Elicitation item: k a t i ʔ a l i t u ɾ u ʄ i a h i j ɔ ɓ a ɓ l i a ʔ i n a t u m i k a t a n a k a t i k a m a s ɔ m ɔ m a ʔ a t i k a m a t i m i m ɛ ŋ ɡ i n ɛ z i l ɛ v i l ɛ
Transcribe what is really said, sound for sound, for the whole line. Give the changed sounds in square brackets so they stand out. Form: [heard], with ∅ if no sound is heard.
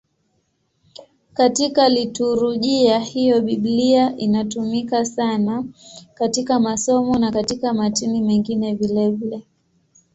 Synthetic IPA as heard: k a t i [k] a l i t u ɾ u ʄ i a h i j ɔ ɓ [i] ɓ l i a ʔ i n a t u m i k a [s] a n a k a t i k a m a s ɔ m ɔ [n] a [k] a t i k a m a t i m i m ɛ ŋ ɡ i n ɛ [v] i l ɛ v i l ɛ